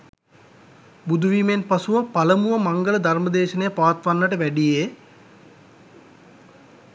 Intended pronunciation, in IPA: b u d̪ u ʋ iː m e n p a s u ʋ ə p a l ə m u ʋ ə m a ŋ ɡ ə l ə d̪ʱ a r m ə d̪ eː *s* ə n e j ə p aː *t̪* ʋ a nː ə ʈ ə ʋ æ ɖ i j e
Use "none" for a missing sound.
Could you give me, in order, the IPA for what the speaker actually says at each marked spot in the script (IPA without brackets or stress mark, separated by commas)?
ʃ, t̪